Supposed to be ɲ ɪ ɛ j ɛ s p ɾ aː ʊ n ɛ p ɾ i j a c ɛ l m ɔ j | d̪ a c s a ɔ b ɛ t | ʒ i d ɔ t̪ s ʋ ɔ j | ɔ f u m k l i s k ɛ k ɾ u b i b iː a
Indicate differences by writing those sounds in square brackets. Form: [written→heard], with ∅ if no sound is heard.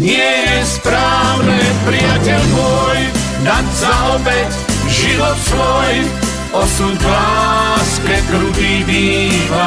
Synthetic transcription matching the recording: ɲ ɪ ɛ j ɛ s p ɾ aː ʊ n ɛ p ɾ i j a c ɛ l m ɔ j | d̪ a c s a ɔ b ɛ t | ʒ i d ɔ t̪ s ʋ ɔ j | ɔ [f→s] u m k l [i→a] s k ɛ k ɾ u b i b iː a